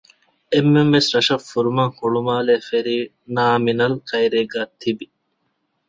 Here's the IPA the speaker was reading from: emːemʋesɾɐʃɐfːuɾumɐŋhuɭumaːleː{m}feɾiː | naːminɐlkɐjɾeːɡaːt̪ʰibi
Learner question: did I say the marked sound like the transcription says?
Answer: no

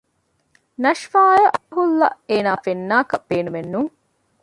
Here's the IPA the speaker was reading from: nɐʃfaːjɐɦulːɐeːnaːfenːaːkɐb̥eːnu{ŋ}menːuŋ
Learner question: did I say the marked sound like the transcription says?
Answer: no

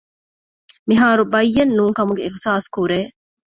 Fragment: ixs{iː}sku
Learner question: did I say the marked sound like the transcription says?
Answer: no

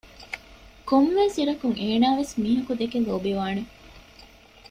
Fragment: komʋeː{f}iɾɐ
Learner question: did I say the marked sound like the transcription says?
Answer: no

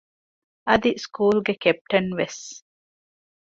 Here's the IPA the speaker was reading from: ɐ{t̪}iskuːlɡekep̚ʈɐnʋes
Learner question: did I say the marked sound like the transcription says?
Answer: no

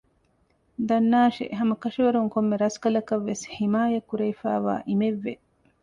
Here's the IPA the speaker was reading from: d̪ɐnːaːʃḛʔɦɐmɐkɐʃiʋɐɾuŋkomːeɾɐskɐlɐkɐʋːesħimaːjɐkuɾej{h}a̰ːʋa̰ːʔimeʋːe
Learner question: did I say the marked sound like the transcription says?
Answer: no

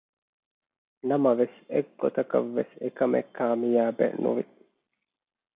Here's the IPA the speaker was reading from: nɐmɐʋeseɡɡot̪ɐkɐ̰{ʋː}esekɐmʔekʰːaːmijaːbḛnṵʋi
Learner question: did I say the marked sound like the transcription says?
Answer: yes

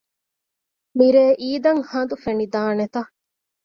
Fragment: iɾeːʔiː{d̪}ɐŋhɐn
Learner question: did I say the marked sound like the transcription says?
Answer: yes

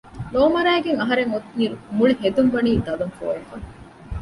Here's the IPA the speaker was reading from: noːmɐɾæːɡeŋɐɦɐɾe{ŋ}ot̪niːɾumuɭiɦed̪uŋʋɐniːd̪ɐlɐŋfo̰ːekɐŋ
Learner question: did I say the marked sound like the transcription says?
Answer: yes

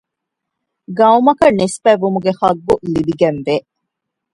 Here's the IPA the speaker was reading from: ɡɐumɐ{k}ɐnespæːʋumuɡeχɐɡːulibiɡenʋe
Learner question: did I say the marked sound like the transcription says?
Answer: yes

